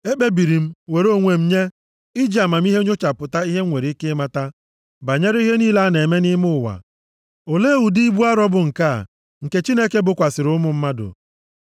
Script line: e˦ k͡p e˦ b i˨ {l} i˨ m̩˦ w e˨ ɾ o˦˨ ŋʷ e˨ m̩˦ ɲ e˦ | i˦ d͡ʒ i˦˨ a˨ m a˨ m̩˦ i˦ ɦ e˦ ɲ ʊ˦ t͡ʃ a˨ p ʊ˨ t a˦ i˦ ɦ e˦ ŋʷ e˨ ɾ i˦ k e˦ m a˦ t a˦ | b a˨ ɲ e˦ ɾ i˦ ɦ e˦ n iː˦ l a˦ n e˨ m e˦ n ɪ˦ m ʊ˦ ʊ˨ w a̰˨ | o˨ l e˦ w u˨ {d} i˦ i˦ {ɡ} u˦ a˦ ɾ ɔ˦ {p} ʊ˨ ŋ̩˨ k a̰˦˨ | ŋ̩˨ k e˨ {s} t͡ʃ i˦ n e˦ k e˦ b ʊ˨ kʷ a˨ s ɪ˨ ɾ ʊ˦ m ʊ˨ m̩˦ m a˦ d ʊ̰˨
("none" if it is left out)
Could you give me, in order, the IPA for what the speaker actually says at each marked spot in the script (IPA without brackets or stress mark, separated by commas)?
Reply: ɾ, d, b, b, none